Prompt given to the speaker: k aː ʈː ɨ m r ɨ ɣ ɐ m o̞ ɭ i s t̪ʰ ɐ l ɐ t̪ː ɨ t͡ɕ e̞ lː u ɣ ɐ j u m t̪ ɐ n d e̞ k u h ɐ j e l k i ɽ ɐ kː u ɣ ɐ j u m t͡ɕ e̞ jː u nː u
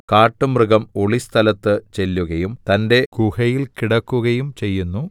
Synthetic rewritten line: k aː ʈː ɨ m r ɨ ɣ ɐ m o̞ ɭ i s t̪ʰ ɐ l ɐ t̪ː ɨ t͡ɕ e̞ lː u ɣ ɐ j u m t̪ ɐ n d e̞ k u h ɐ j i l k i ɽ ɐ kː u ɣ ɐ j u m t͡ɕ e̞ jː u nː u